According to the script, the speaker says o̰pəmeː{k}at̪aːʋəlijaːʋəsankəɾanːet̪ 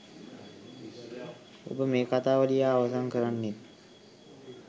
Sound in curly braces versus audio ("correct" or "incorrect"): correct